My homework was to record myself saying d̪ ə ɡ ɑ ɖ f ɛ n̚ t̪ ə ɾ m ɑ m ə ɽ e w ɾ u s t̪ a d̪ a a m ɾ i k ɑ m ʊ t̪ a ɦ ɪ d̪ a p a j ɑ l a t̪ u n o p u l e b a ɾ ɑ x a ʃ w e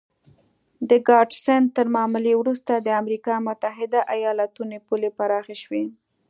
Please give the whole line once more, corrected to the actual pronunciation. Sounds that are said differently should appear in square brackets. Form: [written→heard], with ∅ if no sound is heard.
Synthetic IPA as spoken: d̪ ə ɡ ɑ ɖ [f→s] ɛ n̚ t̪ ə ɾ m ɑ m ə [ɽ→l] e w ɾ u s t̪ a d̪ [a→ə] a m ɾ i k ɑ m ʊ t̪ a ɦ ɪ d̪ a [p→ʔ] a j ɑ l a t̪ u n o p u l e [b→p] a ɾ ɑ x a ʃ w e